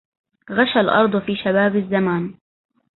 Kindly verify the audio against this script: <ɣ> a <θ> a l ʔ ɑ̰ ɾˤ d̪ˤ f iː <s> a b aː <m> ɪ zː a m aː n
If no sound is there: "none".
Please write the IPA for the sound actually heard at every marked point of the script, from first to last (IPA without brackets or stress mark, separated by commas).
ɣ, ʃ, ʃ, b